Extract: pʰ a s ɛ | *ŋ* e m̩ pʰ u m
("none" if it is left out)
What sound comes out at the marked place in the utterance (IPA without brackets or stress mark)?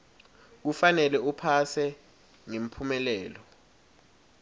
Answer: ŋ